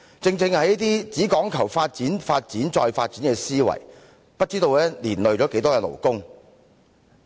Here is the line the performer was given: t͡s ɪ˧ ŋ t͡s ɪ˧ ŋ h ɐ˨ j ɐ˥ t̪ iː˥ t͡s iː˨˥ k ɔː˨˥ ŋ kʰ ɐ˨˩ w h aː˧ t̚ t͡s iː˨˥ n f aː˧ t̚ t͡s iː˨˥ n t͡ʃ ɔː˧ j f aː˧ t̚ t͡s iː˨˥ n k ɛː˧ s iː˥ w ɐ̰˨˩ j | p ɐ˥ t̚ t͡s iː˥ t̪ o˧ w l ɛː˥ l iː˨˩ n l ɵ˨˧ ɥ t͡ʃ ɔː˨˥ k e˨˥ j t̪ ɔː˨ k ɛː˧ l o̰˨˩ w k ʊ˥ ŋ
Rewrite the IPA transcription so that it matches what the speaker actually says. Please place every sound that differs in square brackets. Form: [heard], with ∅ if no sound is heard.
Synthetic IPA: t͡s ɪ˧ ŋ t͡s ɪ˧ ŋ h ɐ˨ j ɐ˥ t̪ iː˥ t͡s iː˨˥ k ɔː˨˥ ŋ kʰ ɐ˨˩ w [f] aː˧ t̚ t͡s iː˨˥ n f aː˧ t̚ t͡s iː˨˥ n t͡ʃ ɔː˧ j f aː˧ t̚ t͡s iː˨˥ n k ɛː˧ s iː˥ w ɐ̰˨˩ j | p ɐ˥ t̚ t͡s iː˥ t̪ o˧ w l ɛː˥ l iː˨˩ n l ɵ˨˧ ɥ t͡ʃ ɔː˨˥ k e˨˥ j t̪ [ɔː˥] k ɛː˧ l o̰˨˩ w k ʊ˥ ŋ